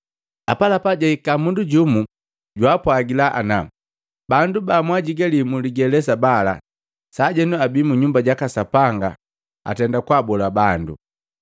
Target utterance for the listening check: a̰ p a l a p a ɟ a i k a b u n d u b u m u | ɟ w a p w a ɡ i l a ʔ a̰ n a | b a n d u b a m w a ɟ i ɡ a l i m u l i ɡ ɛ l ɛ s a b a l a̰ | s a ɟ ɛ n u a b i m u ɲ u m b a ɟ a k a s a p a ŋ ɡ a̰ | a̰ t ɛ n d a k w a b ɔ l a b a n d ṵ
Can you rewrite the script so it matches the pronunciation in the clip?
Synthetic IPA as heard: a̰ p a l a p a ɟ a i k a m u n d u ɟ u m u | ɟ w a p w a ɡ i l a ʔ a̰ n a | b a n d u b a m w a ɟ i ɡ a l i m u l i ɡ ɛ l ɛ s a b a l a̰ | s a ɟ ɛ n u a b i m u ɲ u m b a ɟ a k a s a p a ŋ ɡ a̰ | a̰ t ɛ n d a k w a b ɔ l a b a n d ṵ